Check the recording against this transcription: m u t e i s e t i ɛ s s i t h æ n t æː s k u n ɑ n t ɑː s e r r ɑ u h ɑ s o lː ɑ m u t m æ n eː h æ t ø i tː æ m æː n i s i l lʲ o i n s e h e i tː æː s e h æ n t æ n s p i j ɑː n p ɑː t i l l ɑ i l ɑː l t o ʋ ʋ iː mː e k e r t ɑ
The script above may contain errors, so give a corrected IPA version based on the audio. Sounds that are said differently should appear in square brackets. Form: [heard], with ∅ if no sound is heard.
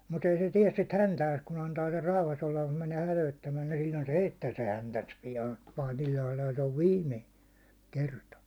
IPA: m u t e i s e t i ɛ s s i t h æ n t æː s k u n ɑ n t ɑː s e r r ɑ u h ɑ s o lː ɑ m u t m æ n eː h æ t ø i tː æ m æː n i s i l lʲ o i n s e h e i tː æː s e h æ n t æ n s p i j ɑː n p ɑː t i l l ɑ i l [ɑ] l t o ʋ ʋ iː mː e k e r t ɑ